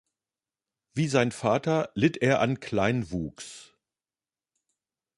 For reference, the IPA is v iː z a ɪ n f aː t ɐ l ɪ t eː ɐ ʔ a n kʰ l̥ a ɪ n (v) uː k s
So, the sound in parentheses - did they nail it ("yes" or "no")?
yes